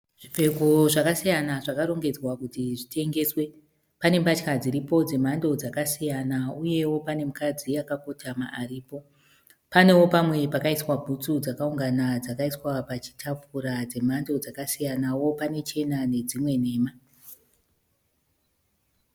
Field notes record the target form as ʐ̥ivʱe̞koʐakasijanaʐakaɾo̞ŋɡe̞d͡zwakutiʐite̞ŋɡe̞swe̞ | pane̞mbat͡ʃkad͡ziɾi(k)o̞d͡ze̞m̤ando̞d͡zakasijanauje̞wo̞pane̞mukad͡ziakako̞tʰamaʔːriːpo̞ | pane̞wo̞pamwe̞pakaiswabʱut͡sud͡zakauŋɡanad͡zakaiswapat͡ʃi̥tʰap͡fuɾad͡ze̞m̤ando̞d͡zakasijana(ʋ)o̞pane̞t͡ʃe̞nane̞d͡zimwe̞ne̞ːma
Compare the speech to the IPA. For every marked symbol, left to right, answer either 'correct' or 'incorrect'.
incorrect: p, incorrect: w

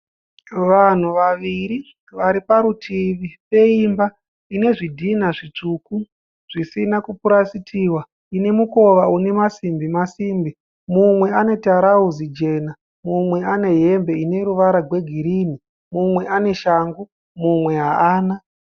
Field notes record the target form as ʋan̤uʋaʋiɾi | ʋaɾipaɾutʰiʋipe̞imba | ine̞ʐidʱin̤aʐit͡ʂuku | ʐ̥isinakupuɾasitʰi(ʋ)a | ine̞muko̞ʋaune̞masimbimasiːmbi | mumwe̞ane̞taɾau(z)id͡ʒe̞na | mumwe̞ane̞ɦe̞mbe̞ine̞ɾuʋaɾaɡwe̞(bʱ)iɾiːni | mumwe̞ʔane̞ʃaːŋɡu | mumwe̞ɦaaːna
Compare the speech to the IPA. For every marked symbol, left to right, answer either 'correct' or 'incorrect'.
incorrect: w, correct, incorrect: ɡʱ

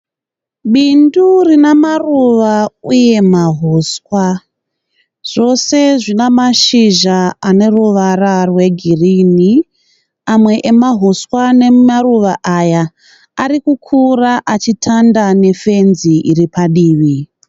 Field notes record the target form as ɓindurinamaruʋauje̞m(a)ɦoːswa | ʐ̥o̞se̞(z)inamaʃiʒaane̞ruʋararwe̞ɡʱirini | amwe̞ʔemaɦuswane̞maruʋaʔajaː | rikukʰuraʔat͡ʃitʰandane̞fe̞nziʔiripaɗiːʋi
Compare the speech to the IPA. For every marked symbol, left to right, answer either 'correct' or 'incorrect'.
correct, incorrect: ʐ

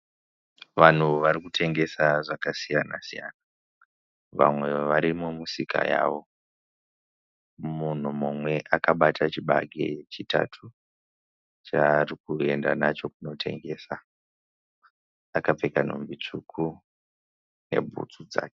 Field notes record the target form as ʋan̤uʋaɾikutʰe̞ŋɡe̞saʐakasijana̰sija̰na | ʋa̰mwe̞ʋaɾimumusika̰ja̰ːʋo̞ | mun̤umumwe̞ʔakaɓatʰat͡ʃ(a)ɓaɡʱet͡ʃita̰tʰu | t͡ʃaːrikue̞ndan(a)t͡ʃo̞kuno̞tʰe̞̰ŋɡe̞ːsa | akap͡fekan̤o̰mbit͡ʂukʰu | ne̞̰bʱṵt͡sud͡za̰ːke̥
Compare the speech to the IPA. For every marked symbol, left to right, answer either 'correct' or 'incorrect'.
incorrect: i, correct

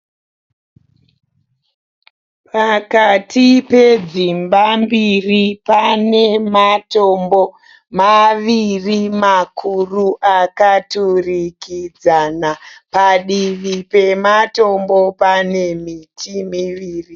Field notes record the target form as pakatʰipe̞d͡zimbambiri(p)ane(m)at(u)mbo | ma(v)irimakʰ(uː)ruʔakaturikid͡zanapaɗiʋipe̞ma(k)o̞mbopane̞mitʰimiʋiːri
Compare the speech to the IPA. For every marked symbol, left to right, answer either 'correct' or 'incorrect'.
correct, correct, incorrect: o, incorrect: ʋ, incorrect: u, incorrect: t

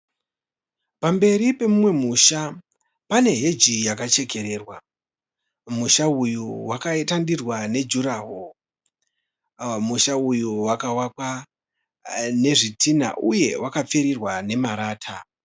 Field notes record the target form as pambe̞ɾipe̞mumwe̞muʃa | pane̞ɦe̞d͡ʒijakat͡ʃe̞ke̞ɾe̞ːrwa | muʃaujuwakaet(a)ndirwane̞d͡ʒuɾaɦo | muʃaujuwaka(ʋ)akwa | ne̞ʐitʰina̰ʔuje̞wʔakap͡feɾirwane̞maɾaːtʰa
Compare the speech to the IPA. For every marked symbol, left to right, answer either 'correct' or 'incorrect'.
correct, incorrect: w

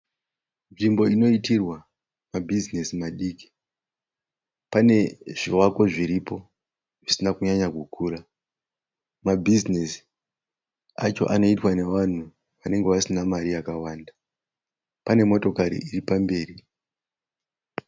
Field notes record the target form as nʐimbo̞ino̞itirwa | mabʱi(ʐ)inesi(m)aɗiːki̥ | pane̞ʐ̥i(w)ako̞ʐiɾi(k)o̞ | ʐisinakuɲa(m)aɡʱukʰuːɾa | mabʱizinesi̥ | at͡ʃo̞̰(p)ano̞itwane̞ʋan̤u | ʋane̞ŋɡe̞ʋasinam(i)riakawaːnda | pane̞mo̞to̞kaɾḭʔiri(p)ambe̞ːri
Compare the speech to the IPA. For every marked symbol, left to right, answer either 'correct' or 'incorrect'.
incorrect: z, correct, correct, incorrect: p, incorrect: ɲ, incorrect: ʔ, incorrect: a, correct

